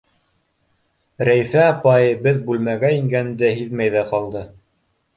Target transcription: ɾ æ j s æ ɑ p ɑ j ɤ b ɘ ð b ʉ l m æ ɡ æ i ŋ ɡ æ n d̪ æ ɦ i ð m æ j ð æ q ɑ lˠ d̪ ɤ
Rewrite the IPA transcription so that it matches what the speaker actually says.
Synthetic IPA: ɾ æ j f æ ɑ p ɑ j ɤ b ɘ ð b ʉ l m æ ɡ æ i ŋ ɡ æ n d̪ æ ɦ i ð m æ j ð æ q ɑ lˠ d̪ ɤ